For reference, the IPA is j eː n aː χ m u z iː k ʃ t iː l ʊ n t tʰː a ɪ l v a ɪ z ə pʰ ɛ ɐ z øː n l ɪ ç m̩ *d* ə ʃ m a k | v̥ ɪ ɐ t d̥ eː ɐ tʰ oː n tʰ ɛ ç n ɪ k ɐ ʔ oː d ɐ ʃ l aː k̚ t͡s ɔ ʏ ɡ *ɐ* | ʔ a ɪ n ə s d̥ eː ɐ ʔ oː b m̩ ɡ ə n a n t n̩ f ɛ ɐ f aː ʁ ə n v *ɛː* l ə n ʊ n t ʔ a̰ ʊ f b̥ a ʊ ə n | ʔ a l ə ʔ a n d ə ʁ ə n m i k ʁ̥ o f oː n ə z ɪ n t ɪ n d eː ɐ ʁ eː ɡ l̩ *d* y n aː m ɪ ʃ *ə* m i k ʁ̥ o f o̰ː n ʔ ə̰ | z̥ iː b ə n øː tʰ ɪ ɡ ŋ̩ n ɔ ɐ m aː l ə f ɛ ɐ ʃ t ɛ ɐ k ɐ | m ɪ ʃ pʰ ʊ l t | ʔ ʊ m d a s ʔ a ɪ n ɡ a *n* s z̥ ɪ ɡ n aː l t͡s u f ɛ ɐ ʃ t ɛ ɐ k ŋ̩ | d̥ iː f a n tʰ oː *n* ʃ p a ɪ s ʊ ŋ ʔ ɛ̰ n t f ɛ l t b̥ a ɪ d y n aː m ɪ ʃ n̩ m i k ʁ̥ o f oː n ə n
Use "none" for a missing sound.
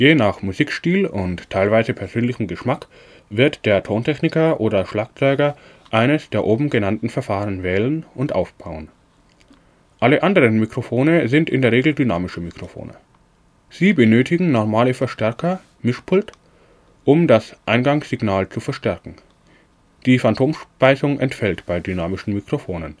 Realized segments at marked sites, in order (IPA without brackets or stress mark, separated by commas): ɡ, ɐ, ɛː, d, ə, ŋ, m